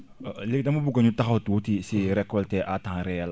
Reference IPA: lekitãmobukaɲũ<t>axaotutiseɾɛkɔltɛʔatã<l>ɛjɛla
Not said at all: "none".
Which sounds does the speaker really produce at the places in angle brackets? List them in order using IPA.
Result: t, ɾ

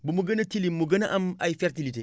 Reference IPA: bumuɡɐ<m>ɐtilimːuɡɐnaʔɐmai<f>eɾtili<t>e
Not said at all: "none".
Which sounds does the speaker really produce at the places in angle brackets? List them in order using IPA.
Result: n, f, t

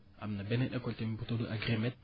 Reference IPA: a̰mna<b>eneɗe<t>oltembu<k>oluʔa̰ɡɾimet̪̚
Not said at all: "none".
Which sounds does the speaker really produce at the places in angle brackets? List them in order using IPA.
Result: b, k, t

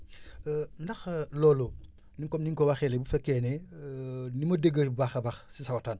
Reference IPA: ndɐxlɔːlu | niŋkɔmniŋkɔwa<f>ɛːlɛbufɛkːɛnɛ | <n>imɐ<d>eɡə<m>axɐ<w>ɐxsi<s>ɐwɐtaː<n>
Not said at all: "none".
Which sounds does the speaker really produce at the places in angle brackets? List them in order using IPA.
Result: x, n, d, b, b, s, n

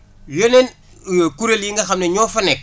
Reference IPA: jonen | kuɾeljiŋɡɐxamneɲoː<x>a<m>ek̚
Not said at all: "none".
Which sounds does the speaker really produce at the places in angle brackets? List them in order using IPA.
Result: f, n

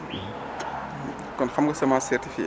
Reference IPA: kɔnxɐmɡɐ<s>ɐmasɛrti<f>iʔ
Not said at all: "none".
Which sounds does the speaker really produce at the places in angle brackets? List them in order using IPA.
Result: s, f

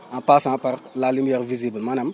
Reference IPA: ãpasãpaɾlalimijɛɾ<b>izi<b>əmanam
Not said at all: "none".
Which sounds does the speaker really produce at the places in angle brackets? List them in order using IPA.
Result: v, b

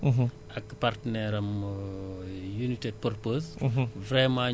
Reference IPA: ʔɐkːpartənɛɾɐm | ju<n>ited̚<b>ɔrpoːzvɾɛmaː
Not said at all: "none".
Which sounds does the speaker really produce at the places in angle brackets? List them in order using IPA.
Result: n, p

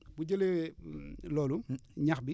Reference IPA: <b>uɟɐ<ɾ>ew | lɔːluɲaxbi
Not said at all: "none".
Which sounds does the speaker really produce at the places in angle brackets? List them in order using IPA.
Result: b, l

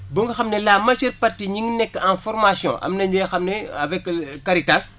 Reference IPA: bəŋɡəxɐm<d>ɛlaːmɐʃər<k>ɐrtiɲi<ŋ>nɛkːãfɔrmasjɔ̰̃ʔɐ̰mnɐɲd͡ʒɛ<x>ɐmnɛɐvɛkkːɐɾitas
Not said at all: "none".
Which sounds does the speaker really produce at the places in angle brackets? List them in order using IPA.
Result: n, p, ŋ, x

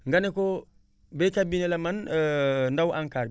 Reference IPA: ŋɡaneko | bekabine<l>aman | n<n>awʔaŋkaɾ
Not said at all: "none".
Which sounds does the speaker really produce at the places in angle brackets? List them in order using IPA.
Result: l, d

